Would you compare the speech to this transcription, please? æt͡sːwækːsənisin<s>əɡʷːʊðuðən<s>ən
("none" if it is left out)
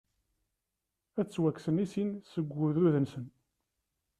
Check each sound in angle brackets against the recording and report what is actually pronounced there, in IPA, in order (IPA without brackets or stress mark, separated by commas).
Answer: s, s